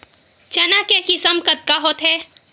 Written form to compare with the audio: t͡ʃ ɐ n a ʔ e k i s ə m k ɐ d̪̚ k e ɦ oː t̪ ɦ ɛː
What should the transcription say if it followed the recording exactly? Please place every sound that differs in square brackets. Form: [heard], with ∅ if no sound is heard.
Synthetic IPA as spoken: t͡ʃ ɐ n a [k] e k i s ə m k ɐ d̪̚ k [a] ɦ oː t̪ ɦ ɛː